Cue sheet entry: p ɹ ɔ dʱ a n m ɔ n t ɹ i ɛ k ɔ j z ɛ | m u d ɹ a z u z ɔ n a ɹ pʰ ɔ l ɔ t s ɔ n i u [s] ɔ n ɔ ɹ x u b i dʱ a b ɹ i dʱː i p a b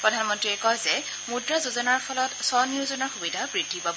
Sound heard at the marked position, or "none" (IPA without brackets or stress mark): z